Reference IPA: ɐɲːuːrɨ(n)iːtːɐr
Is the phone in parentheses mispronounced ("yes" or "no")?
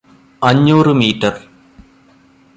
yes